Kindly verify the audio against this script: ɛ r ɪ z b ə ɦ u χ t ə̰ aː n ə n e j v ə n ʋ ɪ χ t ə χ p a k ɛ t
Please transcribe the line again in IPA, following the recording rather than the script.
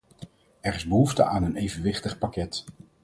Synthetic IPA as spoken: ɛ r ɪ z b ə ɦ u f t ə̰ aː n ə n e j v ə n ʋ ɪ χ t ə χ p a k ɛ t